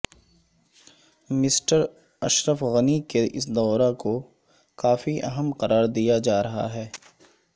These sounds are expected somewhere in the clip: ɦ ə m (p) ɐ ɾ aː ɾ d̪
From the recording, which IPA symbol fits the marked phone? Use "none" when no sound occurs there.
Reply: q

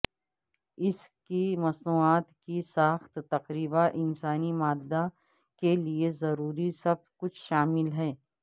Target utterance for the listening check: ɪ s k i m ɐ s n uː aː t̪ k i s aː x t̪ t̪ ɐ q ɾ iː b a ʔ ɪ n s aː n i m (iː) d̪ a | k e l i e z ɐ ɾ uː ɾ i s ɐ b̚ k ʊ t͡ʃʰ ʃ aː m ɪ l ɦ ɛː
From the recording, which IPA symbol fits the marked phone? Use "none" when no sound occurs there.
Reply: aː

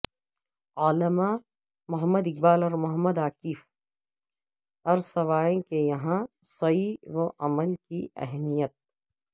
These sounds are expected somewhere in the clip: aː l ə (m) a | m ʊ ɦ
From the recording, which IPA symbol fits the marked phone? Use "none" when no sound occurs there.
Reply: m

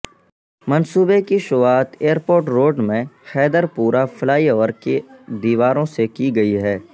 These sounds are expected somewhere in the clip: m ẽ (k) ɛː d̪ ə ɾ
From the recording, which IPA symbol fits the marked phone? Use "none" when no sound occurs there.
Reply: x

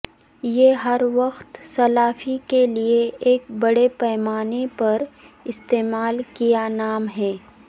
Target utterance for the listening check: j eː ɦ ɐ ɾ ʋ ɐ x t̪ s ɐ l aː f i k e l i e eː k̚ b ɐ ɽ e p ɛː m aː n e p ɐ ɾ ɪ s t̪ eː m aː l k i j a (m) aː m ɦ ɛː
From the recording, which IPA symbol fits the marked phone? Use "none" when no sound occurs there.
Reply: n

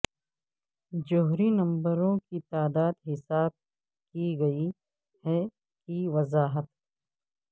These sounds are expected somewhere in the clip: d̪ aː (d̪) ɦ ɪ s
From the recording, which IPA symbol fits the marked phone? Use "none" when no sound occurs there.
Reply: d̪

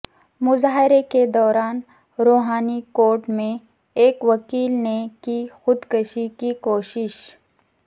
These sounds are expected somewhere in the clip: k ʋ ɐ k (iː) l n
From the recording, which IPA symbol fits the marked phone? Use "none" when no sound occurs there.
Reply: iː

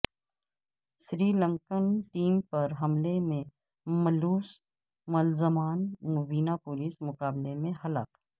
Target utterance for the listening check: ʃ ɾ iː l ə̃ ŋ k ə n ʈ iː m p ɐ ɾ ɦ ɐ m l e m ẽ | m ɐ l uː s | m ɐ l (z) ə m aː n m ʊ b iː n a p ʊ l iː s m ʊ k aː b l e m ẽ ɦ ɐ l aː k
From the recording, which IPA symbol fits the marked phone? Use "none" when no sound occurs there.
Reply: z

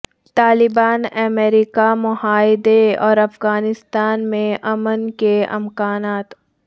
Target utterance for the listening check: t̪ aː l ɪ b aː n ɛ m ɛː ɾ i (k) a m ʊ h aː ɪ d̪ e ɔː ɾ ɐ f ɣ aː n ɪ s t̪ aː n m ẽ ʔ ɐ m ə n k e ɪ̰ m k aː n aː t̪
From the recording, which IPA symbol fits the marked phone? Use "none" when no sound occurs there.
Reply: k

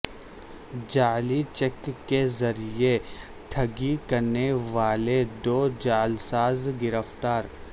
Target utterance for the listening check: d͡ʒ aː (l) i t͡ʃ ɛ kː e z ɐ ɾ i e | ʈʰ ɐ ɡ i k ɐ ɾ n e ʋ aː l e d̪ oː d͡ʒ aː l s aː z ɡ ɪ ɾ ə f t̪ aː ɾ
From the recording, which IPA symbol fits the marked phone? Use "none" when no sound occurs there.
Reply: l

